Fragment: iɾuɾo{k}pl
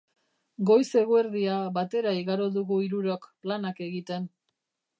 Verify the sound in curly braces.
correct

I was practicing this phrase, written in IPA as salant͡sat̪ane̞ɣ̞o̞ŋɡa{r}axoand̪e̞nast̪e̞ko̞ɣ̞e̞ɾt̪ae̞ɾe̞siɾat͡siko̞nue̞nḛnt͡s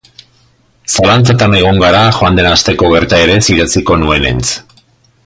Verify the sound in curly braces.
incorrect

